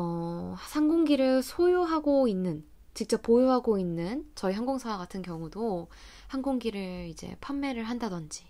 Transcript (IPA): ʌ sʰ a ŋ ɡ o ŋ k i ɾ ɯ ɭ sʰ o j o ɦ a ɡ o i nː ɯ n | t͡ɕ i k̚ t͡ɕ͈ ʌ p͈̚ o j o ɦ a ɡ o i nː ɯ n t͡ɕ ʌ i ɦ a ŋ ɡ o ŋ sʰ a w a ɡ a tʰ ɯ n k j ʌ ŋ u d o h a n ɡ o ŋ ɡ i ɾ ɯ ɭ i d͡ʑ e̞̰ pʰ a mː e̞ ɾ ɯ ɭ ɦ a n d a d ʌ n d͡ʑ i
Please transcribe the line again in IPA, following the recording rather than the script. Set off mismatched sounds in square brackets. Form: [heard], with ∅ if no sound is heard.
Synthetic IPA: ʌ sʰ a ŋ ɡ o ŋ [ɡ] i ɾ ɯ ɭ sʰ o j o ɦ a ɡ o i nː ɯ n | t͡ɕ i k̚ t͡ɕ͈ ʌ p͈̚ o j o ɦ a ɡ o i nː ɯ n t͡ɕ ʌ i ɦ a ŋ ɡ o ŋ sʰ a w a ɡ a tʰ ɯ n k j ʌ ŋ u d o h a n ɡ o ŋ ɡ i ɾ ɯ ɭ i d͡ʑ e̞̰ pʰ a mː e̞ ɾ ɯ ɭ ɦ a n d a d ʌ n d͡ʑ i

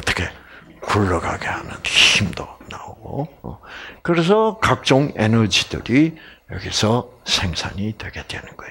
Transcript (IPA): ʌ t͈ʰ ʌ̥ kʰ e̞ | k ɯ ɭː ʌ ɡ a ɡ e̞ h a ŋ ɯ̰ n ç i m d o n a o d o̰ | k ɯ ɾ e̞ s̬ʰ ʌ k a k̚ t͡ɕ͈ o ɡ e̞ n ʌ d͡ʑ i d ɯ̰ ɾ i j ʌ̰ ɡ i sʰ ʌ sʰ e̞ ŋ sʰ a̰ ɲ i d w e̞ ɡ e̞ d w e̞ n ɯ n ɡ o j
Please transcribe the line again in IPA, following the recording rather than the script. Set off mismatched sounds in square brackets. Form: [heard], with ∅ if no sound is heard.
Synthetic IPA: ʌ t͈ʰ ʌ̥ kʰ e̞ | k [u] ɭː ʌ ɡ a ɡ e̞ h a [n] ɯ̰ n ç i m d o n a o [ɡ] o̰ | k ɯ ɾ e̞ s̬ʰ ʌ k a k̚ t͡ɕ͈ o [ŋ] e̞ n ʌ d͡ʑ i d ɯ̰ ɾ i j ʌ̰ ɡ i sʰ ʌ sʰ e̞ ŋ sʰ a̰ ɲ i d w e̞ ɡ e̞ d w e̞ n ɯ n ɡ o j

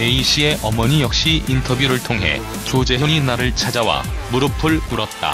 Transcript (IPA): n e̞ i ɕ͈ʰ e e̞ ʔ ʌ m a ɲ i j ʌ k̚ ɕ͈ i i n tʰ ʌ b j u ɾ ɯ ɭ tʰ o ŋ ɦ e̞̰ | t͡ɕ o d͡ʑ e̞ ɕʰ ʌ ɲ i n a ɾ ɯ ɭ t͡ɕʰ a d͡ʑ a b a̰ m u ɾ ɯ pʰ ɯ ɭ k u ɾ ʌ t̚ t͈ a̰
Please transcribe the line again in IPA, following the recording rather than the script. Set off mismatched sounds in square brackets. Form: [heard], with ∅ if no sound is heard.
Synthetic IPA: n e̞ i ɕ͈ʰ [i] e̞ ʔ ʌ m [ʌ] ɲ i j ʌ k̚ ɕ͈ i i n tʰ ʌ b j u ɾ ɯ ɭ tʰ o ŋ ɦ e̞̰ | t͡ɕ o d͡ʑ e̞ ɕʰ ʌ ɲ i n a ɾ ɯ ɭ t͡ɕʰ a d͡ʑ a [w] a̰ m u ɾ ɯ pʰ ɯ ɭ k u ɾ ʌ t̚ t͈ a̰

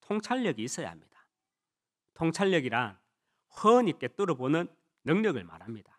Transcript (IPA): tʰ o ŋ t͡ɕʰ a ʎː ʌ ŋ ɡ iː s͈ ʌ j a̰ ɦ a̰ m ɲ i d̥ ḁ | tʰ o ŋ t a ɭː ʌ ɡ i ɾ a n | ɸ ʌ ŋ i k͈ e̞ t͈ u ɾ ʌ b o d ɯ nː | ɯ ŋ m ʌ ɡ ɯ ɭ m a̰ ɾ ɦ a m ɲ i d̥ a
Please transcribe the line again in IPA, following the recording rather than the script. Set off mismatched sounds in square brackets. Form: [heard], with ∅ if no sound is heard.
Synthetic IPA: tʰ o ŋ t͡ɕʰ a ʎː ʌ [∅] ɡ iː s͈ ʌ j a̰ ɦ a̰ m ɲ i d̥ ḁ | tʰ o ŋ [t͡ɕʰ] a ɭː ʌ ɡ i ɾ a n | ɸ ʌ [ɲ] i k͈ e̞ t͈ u ɾ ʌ b o [n] ɯ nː | ɯ ŋ [ɲ] ʌ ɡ ɯ ɭ m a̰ ɾ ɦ a m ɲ i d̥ a

